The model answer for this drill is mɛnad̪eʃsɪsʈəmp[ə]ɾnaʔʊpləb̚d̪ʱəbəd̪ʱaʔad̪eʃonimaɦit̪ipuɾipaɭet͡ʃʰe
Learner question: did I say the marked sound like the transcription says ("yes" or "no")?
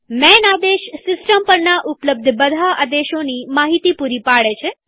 yes